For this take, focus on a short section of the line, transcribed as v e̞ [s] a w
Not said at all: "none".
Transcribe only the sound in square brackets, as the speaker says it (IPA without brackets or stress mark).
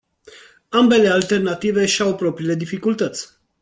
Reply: ʃ